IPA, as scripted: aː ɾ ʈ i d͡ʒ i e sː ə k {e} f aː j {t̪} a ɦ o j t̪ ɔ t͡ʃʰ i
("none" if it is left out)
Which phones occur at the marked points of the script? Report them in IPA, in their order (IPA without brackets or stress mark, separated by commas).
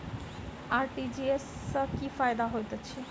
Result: i, d̪